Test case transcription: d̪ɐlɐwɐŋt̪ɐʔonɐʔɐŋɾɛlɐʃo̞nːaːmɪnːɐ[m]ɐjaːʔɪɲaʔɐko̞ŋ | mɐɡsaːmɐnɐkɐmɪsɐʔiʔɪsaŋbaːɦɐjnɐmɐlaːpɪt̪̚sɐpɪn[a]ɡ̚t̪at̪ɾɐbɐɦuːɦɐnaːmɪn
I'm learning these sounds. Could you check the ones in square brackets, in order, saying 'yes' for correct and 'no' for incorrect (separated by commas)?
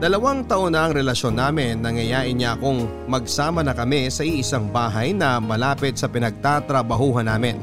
no, no